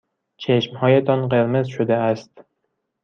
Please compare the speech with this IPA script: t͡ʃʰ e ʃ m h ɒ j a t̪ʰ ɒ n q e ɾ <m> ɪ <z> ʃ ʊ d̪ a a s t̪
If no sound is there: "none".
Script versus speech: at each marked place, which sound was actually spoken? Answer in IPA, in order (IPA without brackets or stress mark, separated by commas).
m, z